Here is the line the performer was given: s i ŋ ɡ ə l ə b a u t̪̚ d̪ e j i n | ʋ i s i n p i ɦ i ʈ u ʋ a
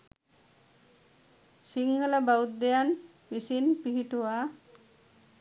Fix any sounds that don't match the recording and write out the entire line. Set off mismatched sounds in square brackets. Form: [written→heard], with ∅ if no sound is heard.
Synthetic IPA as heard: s i ŋ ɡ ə l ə b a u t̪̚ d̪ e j [i→a] n | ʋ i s i n p i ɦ i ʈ u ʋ a